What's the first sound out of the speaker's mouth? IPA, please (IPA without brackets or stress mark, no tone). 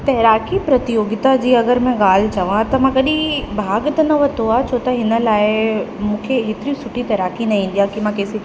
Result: t̪